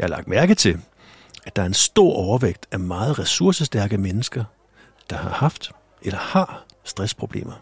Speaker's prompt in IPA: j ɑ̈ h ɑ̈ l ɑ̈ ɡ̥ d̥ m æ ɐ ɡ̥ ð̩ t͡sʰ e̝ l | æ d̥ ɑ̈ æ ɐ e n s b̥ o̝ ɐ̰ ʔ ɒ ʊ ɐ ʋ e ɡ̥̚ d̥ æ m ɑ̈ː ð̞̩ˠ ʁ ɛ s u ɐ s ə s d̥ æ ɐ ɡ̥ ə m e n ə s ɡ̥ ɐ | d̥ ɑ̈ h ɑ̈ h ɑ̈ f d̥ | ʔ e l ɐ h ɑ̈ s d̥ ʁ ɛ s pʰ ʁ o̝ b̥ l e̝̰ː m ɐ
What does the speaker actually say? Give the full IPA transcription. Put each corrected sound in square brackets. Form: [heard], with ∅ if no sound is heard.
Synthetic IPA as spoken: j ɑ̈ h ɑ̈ l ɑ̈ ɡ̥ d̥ m æ ɐ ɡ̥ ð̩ t͡sʰ e̝ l | æ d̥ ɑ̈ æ ɐ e n s [d̥] o̝ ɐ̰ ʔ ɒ ʊ ɐ ʋ e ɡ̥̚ d̥ æ m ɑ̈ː ð̞̩ˠ ʁ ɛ s u ɐ s ə s d̥ æ ɐ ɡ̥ ə m e n ə s ɡ̥ ɐ | d̥ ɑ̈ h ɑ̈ h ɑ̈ f d̥ | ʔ e l ɐ h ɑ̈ s d̥ ʁ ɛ s pʰ ʁ o̝ b̥ l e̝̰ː m ɐ